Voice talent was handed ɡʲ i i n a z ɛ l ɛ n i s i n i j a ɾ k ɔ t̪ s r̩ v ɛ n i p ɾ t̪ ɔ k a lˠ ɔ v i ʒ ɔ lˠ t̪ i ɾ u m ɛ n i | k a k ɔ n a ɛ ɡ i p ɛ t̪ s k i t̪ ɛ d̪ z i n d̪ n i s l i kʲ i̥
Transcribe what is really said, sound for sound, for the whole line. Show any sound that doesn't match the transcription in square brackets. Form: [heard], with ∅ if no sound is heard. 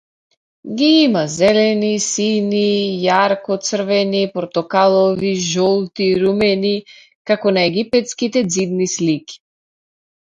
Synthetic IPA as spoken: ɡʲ i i [m] a z ɛ l ɛ n i s i n i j a ɾ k ɔ t̪ s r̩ v ɛ n i p ɾ t̪ ɔ k a lˠ ɔ v i ʒ ɔ lˠ t̪ i ɾ u m ɛ n i | k a k ɔ n a ɛ ɡ i p ɛ t̪ s k i t̪ ɛ d̪ z i [∅] d̪ n i s l i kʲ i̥